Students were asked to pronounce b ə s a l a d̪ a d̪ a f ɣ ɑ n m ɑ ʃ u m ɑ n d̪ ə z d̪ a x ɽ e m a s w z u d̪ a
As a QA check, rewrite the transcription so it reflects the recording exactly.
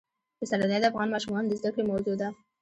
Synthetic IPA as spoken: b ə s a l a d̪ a d̪ a f ɣ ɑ n m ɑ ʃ u m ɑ n d̪ ə z d̪ a k ɽ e m a w z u d̪ a